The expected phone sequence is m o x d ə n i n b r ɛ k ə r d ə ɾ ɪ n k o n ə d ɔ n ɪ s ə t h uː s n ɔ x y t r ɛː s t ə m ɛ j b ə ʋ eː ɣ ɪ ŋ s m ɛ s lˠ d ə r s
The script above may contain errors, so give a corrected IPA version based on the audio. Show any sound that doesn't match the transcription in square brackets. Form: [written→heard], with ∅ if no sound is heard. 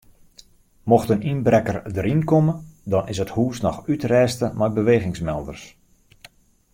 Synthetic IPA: m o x [d→t] ə n i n b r ɛ k ə r d ə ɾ [ɪ→i] n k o [n→m] ə d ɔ n ɪ s ə t h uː s n ɔ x y t r ɛː s t ə m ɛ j b ə ʋ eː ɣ ɪ ŋ s m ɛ [s→∅] lˠ d ə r s